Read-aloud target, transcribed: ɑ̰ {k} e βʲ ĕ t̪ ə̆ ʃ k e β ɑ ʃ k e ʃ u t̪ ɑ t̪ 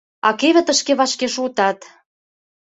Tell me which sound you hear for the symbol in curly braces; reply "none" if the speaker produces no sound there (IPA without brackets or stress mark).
k